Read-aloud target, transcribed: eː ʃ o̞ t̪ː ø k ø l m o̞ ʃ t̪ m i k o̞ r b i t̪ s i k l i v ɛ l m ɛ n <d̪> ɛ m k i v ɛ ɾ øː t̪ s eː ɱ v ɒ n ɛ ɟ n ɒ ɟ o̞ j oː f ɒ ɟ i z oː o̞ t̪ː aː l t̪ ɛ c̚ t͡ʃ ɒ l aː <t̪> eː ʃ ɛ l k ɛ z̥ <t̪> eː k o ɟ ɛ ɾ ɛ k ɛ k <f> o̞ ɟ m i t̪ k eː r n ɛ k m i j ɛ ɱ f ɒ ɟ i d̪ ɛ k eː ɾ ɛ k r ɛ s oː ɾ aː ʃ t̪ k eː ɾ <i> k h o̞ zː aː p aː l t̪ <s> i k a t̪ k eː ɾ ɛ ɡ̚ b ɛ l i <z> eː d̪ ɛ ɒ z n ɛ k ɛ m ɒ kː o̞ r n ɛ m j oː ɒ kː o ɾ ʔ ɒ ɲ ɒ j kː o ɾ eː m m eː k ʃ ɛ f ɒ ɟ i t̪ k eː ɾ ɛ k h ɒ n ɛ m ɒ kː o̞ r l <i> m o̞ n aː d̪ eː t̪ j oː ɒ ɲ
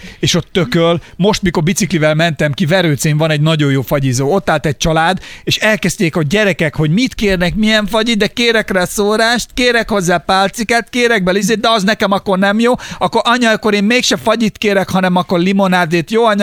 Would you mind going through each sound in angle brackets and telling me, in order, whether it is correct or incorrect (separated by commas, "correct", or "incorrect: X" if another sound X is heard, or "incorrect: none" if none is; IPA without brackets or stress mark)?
incorrect: t̪, incorrect: d̪, correct, incorrect: h, incorrect: ɛ, correct, correct, correct